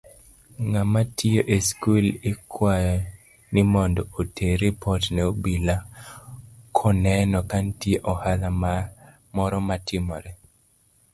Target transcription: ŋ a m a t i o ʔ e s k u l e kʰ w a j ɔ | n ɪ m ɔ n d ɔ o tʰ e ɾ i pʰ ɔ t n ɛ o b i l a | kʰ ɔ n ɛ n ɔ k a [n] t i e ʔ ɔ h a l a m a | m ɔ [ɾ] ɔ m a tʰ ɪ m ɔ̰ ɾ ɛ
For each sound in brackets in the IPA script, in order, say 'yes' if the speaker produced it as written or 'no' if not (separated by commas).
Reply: yes, yes